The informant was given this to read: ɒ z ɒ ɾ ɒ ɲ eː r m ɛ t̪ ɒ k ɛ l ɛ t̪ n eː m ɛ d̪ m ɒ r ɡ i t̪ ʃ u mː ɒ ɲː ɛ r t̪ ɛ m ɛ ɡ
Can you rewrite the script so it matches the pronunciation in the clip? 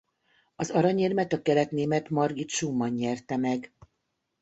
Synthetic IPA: ɒ z ɒ ɾ ɒ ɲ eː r m ɛ t̪ ɒ k ɛ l ɛ t̪ n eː m ɛ t̪ m ɒ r ɡ i t̪ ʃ u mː ɒ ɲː ɛ r t̪ ɛ m ɛ ɡ